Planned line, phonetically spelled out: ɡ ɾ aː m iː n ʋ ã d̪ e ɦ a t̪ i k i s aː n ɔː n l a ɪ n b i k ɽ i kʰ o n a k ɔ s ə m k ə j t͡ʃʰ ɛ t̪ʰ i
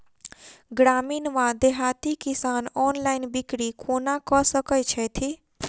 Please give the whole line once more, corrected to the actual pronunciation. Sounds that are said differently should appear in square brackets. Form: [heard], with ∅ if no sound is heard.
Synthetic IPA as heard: ɡ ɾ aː m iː n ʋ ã d̪ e ɦ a t̪ i k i s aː n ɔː n l a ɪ n b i k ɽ i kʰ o n a k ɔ s ə [∅] k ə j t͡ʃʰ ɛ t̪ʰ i